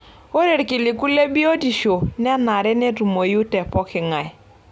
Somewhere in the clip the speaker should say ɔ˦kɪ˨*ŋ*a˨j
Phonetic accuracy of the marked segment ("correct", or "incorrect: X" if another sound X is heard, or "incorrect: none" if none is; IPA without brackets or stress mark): correct